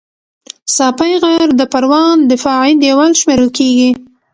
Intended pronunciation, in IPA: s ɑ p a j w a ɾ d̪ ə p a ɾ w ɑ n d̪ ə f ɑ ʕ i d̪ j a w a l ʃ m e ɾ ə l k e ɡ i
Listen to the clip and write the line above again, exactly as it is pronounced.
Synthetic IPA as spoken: s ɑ p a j ɣ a ɾ d̪ ə p a ɾ w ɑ n d̪ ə f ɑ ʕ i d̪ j a w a l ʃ m e ɾ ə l k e ɡ i

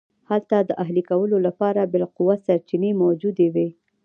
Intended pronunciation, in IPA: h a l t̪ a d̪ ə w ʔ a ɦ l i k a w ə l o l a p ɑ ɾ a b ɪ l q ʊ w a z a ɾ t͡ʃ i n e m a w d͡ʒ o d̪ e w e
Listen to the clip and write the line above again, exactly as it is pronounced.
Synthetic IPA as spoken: h a l t̪ a d̪ ə ʔ a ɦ l i k a w ə l o l a p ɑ ɾ a b ɪ l q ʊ w a s a ɾ t͡ʃ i n e m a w d͡ʒ u d̪ e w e

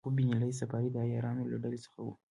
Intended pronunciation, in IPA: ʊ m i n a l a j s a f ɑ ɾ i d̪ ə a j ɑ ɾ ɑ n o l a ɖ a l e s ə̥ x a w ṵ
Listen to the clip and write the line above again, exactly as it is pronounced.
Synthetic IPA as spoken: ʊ b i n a l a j s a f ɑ ɾ i d̪ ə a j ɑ ɾ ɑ n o l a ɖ a l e s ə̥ x a w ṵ

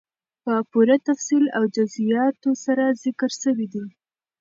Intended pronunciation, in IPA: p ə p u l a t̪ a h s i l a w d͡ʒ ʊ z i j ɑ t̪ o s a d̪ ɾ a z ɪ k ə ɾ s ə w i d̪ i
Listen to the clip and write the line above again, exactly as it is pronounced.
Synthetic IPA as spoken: p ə p u ɾ a t̪ a f s i l a w d͡ʒ ʊ z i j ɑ t̪ o s a ɾ a z ɪ k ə ɾ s ə w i d̪ i

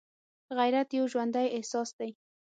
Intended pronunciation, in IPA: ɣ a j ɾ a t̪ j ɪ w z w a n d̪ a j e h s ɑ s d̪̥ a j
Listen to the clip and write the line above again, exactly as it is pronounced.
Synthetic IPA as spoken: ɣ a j ɾ a t̪ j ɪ w ʒ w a n d̪ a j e h s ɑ s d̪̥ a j

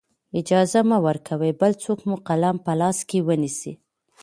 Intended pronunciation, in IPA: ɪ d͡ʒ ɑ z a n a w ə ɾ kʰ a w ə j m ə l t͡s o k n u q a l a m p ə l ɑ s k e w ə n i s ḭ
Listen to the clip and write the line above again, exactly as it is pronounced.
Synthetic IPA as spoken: ɪ d͡ʒ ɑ z a m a w ə ɾ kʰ a w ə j b ə l t͡s o k m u q a l a m p ə l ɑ s k e w ə n i s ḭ

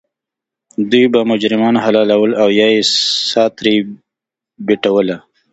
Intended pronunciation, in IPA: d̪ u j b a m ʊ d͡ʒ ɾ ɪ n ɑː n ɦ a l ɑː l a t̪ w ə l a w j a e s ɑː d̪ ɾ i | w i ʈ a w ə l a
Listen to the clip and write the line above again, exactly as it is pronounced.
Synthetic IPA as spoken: d̪ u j b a m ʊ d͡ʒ ɾ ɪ m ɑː n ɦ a l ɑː l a w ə l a w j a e s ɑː t̪ ɾ i | b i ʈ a w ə l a

